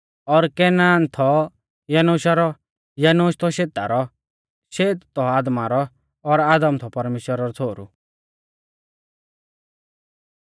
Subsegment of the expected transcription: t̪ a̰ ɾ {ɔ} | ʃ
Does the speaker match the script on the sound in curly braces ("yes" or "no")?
yes